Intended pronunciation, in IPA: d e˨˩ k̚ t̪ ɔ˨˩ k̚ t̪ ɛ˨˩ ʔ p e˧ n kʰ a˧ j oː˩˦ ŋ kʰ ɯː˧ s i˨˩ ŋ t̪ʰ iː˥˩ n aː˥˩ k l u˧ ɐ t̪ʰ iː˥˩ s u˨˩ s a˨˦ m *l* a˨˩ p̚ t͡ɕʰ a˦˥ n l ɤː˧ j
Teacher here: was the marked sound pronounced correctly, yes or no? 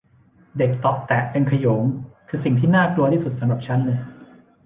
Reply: no